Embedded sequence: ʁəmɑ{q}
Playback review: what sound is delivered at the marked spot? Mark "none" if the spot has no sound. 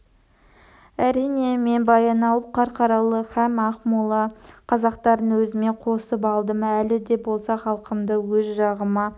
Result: none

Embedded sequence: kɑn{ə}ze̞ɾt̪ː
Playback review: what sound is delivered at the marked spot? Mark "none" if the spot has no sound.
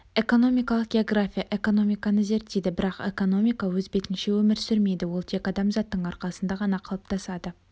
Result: ə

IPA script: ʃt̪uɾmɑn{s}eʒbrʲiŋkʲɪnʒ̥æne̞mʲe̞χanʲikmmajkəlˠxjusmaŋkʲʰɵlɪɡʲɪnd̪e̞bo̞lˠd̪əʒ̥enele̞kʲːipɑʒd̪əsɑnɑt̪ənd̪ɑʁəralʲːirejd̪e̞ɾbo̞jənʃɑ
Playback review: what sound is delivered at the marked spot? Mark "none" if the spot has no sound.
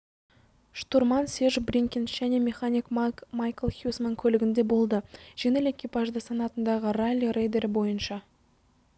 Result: s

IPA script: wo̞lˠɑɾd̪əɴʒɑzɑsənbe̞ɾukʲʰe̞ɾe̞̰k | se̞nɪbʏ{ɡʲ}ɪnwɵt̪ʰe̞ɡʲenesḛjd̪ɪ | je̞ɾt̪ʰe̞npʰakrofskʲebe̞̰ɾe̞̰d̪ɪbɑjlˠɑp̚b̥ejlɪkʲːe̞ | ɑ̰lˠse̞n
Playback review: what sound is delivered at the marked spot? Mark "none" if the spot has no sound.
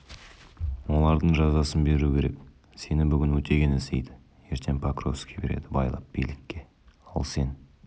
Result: ɡʲ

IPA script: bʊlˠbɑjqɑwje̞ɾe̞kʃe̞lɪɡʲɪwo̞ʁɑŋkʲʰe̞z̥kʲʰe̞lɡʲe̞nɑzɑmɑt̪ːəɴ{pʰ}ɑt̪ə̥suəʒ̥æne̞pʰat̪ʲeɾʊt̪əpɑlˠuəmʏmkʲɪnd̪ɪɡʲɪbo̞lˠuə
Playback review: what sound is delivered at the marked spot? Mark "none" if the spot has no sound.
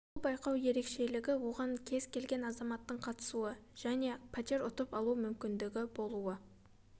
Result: qʰ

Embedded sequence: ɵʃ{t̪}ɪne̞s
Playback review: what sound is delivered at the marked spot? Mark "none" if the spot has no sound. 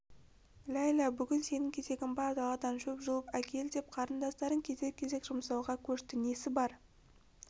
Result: t̪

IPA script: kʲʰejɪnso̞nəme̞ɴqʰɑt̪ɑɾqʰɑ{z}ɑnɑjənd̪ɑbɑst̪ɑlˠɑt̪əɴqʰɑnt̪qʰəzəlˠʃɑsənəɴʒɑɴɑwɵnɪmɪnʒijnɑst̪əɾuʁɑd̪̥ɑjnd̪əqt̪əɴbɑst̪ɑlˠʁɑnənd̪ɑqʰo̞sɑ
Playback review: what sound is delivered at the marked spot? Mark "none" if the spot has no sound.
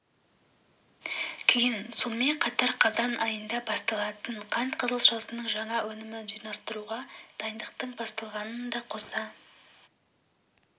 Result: z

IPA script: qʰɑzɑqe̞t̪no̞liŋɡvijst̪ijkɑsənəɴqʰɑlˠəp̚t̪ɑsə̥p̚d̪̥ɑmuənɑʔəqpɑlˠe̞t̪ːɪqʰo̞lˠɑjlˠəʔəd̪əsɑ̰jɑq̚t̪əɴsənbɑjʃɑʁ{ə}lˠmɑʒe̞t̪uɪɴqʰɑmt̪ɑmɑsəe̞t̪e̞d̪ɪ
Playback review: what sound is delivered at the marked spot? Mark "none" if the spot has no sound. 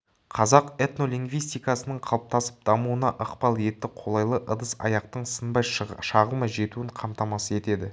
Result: ə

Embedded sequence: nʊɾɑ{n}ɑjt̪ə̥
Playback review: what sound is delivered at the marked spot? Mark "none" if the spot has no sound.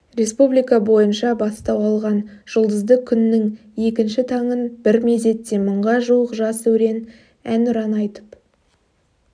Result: n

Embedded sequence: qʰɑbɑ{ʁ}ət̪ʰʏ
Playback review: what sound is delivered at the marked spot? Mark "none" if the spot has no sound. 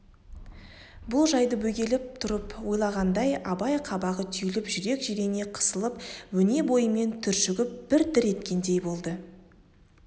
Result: ʁ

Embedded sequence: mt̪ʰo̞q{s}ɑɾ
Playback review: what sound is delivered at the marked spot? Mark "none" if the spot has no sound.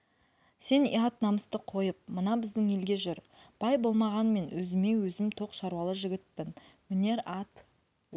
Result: ʃ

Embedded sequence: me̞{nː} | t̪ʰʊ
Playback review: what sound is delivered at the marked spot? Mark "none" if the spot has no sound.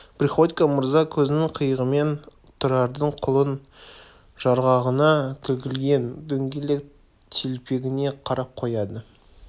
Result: n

